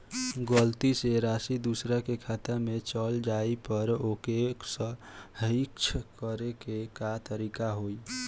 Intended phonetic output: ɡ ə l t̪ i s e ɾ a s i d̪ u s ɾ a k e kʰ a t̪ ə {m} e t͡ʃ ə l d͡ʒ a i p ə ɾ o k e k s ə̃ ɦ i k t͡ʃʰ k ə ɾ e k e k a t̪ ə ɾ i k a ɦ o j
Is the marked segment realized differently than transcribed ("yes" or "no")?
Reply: no